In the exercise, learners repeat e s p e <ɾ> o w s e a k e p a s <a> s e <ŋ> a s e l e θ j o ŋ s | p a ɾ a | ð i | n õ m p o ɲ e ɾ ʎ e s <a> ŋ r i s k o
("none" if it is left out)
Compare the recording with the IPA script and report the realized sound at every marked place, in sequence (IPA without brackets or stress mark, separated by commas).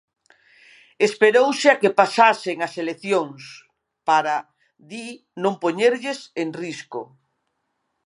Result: ɾ, a, ŋ, e